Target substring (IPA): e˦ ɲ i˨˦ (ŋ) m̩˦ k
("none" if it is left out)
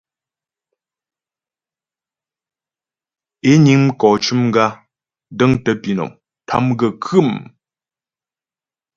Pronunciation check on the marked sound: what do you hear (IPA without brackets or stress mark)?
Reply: ŋ